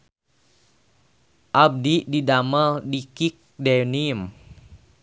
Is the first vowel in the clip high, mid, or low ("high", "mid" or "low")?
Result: low